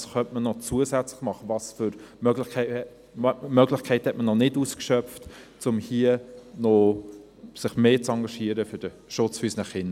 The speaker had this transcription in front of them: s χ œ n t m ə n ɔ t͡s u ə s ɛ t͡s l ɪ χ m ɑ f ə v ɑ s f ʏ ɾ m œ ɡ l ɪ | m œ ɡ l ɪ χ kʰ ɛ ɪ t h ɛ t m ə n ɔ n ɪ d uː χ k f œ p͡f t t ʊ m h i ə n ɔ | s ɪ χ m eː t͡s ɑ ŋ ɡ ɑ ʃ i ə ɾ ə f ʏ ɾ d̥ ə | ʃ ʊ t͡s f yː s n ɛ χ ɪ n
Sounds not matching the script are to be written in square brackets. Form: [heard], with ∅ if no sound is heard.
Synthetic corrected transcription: s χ œ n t m ə n ɔ t͡s u ə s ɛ t͡s l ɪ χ m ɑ [χ] ə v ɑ s f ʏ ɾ m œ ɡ l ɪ | m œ ɡ l ɪ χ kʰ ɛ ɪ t h ɛ t m ə n ɔ n ɪ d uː [s] k [ʃ] œ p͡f t [t͡s] ʊ m h i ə n ɔ | s ɪ χ m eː t͡s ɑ ŋ ɡ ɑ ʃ i ə ɾ ə f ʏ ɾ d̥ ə | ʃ ʊ t͡s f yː s n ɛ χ ɪ n

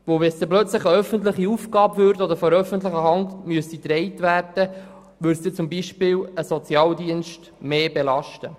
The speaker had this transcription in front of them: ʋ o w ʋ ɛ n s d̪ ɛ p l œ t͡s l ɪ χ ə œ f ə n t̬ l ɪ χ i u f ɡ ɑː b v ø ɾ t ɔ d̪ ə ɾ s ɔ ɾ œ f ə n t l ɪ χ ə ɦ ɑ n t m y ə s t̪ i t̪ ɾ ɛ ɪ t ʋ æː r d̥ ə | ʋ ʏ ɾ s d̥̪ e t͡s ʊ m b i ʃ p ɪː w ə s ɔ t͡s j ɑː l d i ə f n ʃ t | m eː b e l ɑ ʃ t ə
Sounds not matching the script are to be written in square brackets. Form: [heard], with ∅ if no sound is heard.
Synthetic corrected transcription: ʋ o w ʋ ɛ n s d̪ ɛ p l œ t͡s l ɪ χ ə œ f ə n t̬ l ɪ χ i u f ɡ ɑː b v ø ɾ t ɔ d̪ ə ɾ [f] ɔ ɾ œ f ə n t l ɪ χ ə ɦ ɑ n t m y ə s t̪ i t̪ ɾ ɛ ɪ t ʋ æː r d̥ ə | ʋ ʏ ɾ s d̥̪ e t͡s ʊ m b i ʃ p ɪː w ə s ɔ t͡s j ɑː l d i ə [∅] n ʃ t | m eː b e l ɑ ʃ t ə

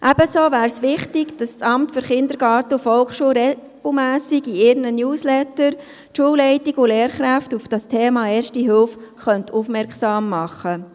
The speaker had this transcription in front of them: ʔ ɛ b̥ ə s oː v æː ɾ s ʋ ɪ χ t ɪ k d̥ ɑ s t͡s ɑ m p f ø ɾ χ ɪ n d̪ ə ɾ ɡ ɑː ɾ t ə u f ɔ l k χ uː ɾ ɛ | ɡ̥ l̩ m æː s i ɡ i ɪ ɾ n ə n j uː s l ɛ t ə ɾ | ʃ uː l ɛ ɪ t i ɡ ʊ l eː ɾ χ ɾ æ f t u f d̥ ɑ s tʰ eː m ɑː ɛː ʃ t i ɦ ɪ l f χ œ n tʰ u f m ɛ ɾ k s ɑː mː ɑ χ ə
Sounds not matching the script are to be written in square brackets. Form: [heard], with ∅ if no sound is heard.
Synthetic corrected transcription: ʔ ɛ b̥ ə s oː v æː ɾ s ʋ ɪ χ t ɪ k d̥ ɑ s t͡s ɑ m [t] f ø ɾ χ ɪ n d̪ ə ɾ ɡ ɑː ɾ t ə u f ɔ l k [ʃ] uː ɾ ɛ | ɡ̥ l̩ m æː s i ɡ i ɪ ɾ n ə n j uː s l ɛ t ə ɾ | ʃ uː l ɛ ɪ t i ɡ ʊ l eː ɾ χ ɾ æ f t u f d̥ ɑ s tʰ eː m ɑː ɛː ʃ t i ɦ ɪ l f χ œ n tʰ u f m ɛ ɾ k s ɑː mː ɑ χ ə

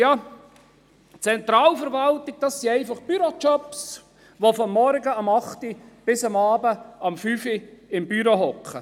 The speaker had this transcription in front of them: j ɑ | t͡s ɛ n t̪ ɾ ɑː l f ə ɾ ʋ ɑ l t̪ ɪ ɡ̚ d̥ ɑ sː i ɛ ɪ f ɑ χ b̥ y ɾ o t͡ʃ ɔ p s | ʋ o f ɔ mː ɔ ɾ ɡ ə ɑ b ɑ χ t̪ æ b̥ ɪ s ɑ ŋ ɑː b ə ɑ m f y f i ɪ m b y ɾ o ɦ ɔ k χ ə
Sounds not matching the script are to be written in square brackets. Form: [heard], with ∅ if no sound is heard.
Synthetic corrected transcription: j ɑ | t͡s ɛ n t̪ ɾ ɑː l f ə ɾ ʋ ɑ l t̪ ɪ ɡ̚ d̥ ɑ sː i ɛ ɪ f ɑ χ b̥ y ɾ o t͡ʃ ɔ p s | ʋ o f ɔ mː ɔ ɾ ɡ ə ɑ [m] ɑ χ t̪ [i] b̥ ɪ s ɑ [m] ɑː b ə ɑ m f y f i ɪ m b y ɾ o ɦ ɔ k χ ə

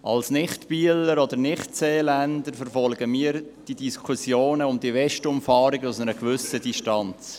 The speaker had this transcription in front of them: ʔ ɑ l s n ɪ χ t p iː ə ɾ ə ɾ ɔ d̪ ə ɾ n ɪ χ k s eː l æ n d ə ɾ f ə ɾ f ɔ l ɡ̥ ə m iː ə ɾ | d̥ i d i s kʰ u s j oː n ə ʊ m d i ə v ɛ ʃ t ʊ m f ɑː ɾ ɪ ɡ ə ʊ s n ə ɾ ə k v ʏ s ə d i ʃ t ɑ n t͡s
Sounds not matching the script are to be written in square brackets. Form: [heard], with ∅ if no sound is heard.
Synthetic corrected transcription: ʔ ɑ l s n ɪ χ t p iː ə [l] ə ɾ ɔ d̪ ə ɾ n ɪ χ [t] s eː l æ n d ə ɾ f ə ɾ f ɔ l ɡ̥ ə m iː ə ɾ | d̥ i d i s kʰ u s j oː n ə ʊ m d i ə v ɛ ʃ t ʊ m f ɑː ɾ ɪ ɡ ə ʊ s n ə ɾ ə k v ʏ s ə d i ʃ t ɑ n t͡s

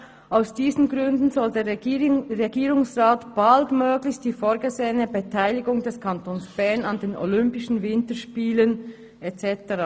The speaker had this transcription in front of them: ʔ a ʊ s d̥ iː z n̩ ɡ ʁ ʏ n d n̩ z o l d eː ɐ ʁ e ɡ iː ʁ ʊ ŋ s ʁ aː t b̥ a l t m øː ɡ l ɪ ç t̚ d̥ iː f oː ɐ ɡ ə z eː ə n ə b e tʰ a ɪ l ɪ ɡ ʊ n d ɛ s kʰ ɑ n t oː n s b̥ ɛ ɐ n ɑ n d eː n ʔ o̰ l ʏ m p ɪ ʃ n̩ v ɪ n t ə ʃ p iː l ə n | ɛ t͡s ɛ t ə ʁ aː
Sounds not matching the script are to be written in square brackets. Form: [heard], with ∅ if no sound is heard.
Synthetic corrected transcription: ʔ a ʊ s d̥ iː z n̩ ɡ ʁ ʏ n d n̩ z [ɔ] l d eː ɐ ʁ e ɡ iː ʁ ʊ ŋ s ʁ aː t b̥ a l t m øː ɡ l ɪ ç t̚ d̥ iː f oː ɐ ɡ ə z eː ə n ə b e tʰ a ɪ l ɪ ɡ ʊ [ŋ] d ɛ s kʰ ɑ n t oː n s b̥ ɛ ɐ n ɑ n d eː n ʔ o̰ l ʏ m p ɪ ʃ n̩ v ɪ n t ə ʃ p iː l ə n | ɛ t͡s ɛ t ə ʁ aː

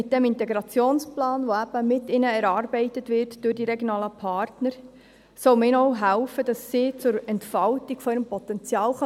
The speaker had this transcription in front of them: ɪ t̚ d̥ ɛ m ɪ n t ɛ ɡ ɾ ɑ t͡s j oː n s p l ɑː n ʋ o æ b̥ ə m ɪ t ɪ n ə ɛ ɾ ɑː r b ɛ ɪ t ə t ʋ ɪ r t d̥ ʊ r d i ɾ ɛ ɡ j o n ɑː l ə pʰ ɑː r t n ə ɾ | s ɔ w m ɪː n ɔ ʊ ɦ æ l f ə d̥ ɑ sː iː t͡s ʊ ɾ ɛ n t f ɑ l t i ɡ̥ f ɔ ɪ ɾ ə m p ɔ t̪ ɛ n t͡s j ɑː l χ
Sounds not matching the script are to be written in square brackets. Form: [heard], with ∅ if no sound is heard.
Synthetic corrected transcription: ɪ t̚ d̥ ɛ m ɪ n t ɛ ɡ ɾ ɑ t͡s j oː n s p l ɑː n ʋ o æ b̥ ə m ɪ t ɪ n ə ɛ ɾ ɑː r b ɛ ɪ t ə t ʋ ɪ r t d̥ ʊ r d i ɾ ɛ ɡ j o n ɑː l ə pʰ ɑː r t n ə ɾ | s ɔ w m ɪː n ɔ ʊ ɦ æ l f ə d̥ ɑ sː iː t͡s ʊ ɾ ɛ n t f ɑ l t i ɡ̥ f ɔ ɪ ɾ ə m p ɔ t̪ ɛ n t͡s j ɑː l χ

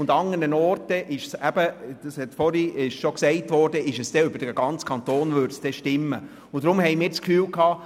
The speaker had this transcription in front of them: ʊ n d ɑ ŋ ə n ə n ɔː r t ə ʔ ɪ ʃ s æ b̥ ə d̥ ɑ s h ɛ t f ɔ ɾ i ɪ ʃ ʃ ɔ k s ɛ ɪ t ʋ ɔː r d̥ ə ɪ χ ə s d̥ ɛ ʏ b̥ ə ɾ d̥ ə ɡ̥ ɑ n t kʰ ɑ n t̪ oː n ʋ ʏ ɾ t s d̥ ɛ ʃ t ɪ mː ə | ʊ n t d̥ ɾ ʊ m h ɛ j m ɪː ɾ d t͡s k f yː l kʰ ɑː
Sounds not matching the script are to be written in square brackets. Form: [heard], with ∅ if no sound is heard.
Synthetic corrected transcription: ʊ n d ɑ ŋ ə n ə n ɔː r t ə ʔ ɪ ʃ s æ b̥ ə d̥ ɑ s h ɛ t f ɔ ɾ i ɪ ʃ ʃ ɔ k s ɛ ɪ t ʋ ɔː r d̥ ə ɪ [ʃ] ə s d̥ ɛ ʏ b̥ ə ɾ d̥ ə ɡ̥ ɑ n [t͡s] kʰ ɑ n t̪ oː n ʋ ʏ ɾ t s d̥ ɛ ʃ t ɪ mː ə | ʊ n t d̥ ɾ ʊ m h ɛ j m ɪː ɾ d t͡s k f yː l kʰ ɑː

